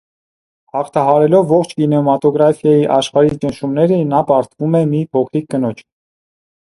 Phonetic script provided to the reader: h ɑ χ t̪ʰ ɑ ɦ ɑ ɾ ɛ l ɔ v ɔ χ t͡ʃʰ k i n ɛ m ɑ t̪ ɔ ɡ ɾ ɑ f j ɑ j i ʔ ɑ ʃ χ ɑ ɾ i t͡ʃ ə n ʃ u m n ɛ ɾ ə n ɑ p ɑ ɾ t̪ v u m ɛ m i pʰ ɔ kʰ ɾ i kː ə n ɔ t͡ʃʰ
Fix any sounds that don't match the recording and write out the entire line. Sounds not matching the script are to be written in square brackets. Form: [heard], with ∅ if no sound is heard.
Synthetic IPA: h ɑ χ t̪ʰ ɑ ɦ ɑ ɾ ɛ l ɔ [vː] ɔ χ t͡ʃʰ k i n ɛ m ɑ t̪ ɔ ɡ ɾ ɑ f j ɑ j i ʔ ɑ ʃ χ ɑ ɾ i t͡ʃ ə n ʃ u m n ɛ ɾ ə n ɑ p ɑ ɾ t̪ v u m ɛ m i pʰ ɔ kʰ ɾ i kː ə n ɔ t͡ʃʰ